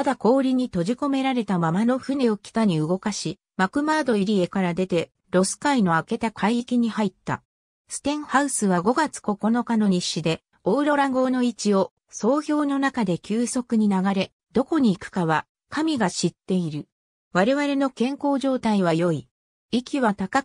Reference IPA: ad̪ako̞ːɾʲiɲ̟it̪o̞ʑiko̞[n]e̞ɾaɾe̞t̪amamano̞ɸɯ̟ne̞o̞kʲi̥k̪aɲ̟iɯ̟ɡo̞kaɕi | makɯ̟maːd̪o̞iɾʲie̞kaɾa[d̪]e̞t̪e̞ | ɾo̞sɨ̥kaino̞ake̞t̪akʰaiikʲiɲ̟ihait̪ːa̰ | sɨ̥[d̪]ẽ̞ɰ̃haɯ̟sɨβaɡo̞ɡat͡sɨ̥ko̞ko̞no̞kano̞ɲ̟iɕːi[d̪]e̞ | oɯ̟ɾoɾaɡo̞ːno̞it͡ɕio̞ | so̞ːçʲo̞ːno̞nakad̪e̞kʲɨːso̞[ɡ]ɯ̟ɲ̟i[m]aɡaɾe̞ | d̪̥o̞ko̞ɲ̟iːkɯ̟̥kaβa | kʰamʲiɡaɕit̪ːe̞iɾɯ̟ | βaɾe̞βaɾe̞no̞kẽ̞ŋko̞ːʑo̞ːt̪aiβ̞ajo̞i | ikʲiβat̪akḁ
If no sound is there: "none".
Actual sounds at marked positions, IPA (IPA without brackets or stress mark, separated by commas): m, d̪, t̪, d̪, k, n